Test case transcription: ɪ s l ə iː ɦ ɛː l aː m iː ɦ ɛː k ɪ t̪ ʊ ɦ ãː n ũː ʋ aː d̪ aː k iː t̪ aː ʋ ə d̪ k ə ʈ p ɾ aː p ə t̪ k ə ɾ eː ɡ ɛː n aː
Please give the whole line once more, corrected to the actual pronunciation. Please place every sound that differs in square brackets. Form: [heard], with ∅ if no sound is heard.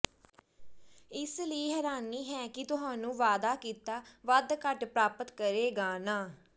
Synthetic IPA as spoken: ɪ s l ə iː ɦ ɛː [ɾ] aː [n] iː ɦ ɛː k ɪ t̪ ʊ ɦ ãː n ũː ʋ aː d̪ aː k iː t̪ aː ʋ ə d̪ k ə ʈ p ɾ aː p ə t̪ k ə ɾ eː ɡ [aː] n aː